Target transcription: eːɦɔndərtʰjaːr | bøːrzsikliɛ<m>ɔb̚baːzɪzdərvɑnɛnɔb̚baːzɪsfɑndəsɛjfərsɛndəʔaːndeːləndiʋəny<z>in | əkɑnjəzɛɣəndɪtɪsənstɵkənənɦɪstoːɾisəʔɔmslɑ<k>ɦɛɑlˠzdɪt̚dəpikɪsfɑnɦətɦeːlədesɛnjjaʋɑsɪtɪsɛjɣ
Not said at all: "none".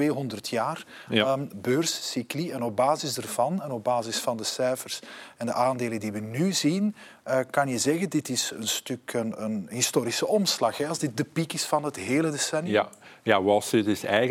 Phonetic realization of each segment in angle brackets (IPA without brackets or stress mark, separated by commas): n, z, x